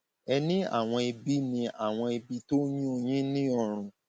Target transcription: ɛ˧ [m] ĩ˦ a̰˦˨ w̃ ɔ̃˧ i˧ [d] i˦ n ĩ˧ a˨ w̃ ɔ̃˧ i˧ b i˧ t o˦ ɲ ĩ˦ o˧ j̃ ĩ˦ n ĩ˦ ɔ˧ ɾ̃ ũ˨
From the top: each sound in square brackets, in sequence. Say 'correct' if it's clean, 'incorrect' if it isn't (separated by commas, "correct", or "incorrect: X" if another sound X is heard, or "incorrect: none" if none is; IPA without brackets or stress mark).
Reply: incorrect: n, incorrect: b